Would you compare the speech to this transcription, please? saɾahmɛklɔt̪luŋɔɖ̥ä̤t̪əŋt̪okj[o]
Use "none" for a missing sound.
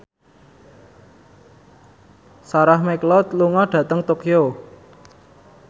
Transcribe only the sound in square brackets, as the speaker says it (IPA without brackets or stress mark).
o